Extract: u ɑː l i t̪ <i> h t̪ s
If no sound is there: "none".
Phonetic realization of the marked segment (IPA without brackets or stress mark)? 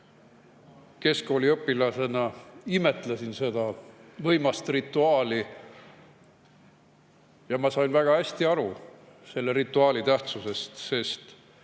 æ